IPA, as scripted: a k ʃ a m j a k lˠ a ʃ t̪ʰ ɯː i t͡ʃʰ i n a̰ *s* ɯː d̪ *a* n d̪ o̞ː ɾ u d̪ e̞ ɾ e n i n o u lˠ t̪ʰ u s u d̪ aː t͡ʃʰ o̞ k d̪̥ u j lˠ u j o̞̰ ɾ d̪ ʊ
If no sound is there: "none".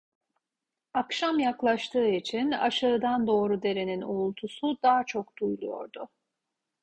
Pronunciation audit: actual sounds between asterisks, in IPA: ʃ, a

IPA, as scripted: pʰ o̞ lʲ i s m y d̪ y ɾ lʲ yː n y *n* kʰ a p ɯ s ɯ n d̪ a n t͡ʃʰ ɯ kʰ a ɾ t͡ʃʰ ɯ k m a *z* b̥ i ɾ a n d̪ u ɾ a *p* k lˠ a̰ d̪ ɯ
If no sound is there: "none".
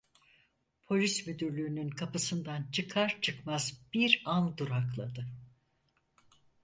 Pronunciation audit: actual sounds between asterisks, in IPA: n, z, none

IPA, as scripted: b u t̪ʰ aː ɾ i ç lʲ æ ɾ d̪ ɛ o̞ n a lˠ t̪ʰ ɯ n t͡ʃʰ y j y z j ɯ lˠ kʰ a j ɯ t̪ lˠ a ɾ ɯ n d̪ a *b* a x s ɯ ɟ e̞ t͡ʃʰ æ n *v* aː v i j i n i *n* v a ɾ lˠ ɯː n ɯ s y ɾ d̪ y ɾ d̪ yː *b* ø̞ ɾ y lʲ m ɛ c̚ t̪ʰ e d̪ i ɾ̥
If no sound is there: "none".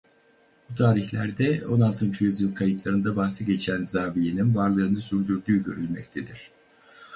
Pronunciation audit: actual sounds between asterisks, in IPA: b, z, n, ɟ

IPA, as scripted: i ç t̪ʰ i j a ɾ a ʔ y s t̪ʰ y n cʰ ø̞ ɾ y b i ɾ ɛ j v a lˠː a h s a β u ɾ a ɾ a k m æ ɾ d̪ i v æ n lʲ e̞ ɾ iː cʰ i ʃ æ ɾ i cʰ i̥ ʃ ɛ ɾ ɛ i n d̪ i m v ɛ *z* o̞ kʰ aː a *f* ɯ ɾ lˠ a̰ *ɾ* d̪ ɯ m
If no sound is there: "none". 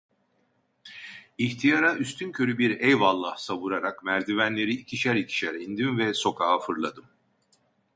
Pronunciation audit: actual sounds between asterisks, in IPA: s, f, none

